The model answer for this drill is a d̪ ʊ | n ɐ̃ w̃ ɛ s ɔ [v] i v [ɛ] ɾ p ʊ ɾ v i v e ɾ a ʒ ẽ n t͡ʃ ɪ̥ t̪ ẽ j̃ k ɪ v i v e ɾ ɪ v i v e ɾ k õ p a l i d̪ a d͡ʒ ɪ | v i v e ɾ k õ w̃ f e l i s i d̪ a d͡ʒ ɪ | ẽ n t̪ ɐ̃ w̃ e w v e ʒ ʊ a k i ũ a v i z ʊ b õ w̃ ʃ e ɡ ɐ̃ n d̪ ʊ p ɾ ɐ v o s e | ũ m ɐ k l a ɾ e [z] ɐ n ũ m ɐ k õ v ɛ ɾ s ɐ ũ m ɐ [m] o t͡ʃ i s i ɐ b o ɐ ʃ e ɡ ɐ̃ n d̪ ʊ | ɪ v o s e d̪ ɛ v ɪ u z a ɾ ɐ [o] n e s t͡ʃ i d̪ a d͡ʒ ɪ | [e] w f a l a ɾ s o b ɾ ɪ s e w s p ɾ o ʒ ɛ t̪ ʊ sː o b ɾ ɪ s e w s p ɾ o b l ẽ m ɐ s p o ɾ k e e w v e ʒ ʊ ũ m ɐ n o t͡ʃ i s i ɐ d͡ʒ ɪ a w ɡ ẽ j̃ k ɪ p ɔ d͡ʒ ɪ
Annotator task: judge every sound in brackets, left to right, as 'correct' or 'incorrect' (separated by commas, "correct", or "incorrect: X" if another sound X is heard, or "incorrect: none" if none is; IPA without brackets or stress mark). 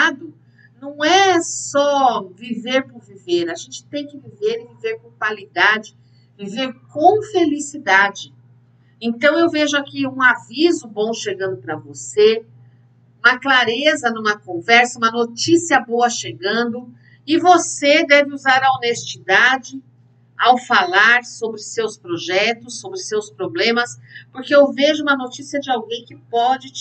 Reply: correct, incorrect: e, correct, incorrect: n, correct, incorrect: a